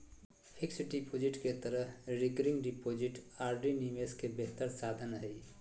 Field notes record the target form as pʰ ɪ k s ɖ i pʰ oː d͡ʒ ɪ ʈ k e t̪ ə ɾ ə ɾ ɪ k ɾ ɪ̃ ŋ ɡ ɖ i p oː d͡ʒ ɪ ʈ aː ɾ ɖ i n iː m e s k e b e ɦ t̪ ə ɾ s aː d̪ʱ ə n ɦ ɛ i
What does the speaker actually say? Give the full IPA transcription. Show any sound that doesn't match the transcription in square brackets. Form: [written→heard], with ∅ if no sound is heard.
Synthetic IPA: pʰ ɪ k s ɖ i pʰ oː d͡ʒ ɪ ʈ k e t̪ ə ɾ ə ɾ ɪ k ɾ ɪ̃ ŋ ɡ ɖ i p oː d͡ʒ ɪ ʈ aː ɾ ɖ i n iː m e s k e b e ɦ t̪ ə ɾ s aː d̪ʱ ə n ɦ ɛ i